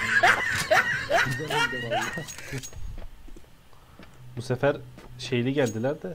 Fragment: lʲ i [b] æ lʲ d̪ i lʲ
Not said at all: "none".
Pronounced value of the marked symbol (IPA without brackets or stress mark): ɟ